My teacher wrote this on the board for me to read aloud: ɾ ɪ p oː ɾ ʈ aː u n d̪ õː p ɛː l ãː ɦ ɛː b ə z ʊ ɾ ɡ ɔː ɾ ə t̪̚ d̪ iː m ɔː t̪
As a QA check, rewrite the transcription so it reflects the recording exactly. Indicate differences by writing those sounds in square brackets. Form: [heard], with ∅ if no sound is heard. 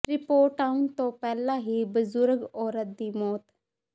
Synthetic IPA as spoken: ɾ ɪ p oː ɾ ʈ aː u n [t̪] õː p ɛː l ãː ɦ [iː] b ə z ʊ ɾ ɡ ɔː ɾ ə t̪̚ d̪ iː m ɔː t̪

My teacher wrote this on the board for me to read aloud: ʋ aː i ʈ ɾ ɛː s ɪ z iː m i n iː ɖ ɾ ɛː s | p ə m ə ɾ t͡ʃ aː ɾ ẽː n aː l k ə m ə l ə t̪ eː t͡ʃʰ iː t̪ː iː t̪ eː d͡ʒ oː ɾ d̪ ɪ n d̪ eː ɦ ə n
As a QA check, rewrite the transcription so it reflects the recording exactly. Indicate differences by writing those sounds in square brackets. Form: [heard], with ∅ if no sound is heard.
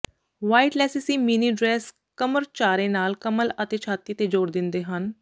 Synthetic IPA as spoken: ʋ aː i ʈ [l] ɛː s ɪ [s] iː m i n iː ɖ ɾ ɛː s | [k] ə m ə ɾ t͡ʃ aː ɾ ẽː n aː l k ə m ə l ə t̪ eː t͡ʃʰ [aː] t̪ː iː t̪ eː d͡ʒ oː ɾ d̪ ɪ n d̪ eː ɦ ə n

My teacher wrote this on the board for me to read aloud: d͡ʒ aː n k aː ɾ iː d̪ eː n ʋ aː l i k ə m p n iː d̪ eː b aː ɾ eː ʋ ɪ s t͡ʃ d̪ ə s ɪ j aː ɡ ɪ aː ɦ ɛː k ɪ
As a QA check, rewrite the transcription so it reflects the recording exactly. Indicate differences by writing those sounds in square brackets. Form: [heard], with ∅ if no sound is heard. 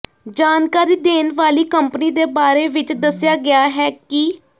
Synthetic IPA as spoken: d͡ʒ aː n k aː ɾ iː d̪ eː n ʋ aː l [iː] k ə m p n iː d̪ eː b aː ɾ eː ʋ ɪ [∅] t͡ʃ d̪ ə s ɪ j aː ɡ ɪ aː ɦ ɛː k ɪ

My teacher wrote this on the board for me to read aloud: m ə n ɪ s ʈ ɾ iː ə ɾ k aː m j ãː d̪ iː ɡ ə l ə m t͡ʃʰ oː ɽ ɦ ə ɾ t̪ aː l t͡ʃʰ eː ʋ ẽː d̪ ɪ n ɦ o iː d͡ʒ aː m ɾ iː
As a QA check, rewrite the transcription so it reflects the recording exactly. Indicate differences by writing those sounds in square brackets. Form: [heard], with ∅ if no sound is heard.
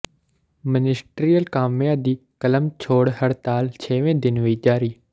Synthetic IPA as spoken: m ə n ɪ s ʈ ɾ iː ə [l] k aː m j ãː d̪ iː [k] ə l ə m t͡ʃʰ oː ɽ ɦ ə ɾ t̪ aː l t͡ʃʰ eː ʋ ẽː d̪ ɪ n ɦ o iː d͡ʒ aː [∅] ɾ iː

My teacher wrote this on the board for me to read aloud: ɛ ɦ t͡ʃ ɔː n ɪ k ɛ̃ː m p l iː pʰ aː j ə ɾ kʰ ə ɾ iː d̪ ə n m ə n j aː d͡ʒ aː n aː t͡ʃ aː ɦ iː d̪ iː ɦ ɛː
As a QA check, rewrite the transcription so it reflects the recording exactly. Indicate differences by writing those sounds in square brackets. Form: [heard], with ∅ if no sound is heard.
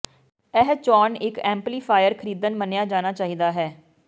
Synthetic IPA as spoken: ɛ ɦ t͡ʃ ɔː n ɪ k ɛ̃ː m p l iː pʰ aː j ə ɾ kʰ ə ɾ iː d̪ ə n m ə n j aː d͡ʒ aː n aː t͡ʃ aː ɦ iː d̪ [aː] ɦ ɛː

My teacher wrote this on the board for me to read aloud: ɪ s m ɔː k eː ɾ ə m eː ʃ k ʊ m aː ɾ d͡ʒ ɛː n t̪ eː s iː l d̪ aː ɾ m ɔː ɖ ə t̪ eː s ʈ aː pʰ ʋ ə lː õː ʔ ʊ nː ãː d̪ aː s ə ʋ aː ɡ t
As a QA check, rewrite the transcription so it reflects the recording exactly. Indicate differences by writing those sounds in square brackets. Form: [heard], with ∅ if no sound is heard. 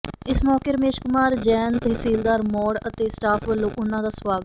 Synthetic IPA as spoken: ɪ s m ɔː k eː ɾ ə m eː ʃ k ʊ m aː ɾ d͡ʒ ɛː n t̪ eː s iː l d̪ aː ɾ m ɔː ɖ ə t̪ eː s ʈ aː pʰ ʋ ə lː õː ʔ ʊ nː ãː d̪ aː s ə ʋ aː ɡ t

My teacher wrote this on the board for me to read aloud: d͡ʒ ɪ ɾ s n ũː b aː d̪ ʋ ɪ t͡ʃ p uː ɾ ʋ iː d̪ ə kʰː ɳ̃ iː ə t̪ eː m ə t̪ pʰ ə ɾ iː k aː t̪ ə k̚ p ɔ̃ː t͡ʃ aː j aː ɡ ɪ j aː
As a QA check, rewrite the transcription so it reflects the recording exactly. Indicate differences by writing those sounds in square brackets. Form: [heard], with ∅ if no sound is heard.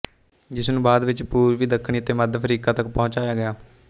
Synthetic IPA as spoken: d͡ʒ ɪ [∅] s n ũː b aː d̪ ʋ ɪ t͡ʃ p uː ɾ ʋ iː d̪ ə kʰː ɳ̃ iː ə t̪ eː m ə [d̪] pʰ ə ɾ iː k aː t̪ ə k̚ p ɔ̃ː t͡ʃ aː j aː ɡ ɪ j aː

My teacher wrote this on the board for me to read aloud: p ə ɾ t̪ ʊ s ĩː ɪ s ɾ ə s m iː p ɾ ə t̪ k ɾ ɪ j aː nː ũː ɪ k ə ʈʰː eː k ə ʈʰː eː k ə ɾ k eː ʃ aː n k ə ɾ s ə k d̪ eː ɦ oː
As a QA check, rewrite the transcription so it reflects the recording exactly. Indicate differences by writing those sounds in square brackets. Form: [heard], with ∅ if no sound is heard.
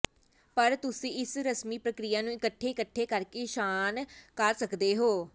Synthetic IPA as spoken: p ə ɾ t̪ ʊ s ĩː ɪ s ɾ ə s m iː p ɾ ə [∅] k ɾ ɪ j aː [n] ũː ɪ k ə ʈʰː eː k ə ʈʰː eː k ə ɾ k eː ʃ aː n k ə ɾ s ə k d̪ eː ɦ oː

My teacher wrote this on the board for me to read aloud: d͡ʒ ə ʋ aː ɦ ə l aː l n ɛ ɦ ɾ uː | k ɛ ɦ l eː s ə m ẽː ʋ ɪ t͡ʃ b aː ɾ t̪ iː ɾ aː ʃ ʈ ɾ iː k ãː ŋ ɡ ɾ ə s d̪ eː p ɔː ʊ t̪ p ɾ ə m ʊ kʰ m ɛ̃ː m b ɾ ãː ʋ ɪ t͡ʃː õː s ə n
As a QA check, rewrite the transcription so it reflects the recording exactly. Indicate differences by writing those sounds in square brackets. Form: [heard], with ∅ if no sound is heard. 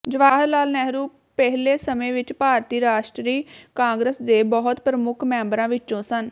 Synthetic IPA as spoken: d͡ʒ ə ʋ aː ɦ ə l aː l n ɛ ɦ ɾ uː | [p] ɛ ɦ l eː s ə m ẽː ʋ ɪ t͡ʃ [p] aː ɾ t̪ iː ɾ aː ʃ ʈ ɾ iː k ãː ŋ ɡ ɾ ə s d̪ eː [b] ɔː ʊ t̪ p ɾ ə m ʊ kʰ m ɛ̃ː m b ɾ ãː ʋ ɪ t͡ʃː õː s ə n

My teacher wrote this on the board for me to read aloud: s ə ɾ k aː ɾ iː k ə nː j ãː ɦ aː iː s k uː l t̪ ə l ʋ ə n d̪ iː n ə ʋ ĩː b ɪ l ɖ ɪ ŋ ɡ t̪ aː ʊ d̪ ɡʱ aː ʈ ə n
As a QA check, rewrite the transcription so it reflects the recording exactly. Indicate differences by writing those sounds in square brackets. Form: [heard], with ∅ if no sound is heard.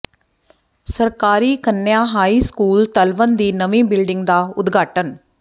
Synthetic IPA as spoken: s ə ɾ k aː ɾ iː k ə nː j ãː ɦ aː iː s k uː l t̪ ə l ʋ ə n d̪ iː n ə ʋ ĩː b ɪ l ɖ ɪ ŋ ɡ [d̪] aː ʊ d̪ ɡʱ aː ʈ ə n

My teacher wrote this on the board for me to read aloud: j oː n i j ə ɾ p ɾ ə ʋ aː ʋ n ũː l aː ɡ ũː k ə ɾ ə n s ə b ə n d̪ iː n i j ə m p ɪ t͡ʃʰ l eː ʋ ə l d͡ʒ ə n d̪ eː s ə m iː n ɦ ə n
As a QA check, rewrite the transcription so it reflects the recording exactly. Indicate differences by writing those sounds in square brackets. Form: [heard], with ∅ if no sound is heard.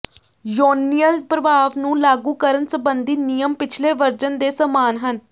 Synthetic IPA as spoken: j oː n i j ə [l] p ɾ ə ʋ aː ʋ n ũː l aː ɡ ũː k ə ɾ ə n s ə b ə n d̪ iː n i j ə m p ɪ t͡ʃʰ l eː ʋ ə [ɾ] d͡ʒ ə n d̪ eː s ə m [aː] n ɦ ə n

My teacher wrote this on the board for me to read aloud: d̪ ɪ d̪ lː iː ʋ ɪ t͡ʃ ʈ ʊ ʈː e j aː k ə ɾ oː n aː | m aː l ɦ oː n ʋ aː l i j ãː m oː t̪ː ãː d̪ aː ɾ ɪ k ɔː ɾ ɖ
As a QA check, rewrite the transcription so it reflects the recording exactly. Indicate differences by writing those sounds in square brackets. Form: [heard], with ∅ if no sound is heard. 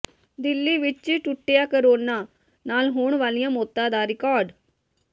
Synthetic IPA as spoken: d̪ ɪ [∅] lː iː ʋ ɪ t͡ʃ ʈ ʊ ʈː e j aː k ə ɾ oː n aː | [n] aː l ɦ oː [ɳ] ʋ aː l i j ãː m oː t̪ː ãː d̪ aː ɾ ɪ k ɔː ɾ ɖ

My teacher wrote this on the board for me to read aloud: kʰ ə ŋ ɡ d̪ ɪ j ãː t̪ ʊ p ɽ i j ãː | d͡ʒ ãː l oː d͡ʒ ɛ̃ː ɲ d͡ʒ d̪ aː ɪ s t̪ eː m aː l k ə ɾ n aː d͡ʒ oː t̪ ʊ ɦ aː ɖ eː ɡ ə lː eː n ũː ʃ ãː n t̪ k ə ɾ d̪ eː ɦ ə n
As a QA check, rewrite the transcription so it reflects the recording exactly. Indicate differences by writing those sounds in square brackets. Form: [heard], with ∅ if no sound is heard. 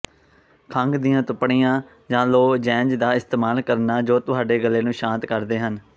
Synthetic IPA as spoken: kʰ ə ŋ ɡ d̪ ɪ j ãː t̪ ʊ p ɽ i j ãː | d͡ʒ ãː l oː d͡ʒ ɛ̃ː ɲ d͡ʒ d̪ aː ɪ s t̪ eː m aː l k ə ɾ n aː d͡ʒ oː t̪ ʊ ɦ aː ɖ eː ɡ ə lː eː n ũː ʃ ãː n t̪ k ə ɾ d̪ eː ɦ ə n

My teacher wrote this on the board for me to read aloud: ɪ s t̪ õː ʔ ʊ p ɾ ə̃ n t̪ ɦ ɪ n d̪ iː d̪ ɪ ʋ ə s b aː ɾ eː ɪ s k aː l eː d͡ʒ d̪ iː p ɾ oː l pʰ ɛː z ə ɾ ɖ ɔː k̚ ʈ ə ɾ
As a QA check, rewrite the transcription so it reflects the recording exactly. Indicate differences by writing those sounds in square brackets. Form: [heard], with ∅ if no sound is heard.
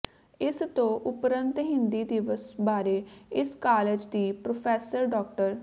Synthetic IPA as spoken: ɪ s t̪ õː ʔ ʊ p ɾ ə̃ n t̪ ɦ ɪ n d̪ iː d̪ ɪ ʋ ə s b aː ɾ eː ɪ s k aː l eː d͡ʒ d̪ iː p ɾ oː [∅] pʰ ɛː [s] ə ɾ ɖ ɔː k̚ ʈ ə ɾ

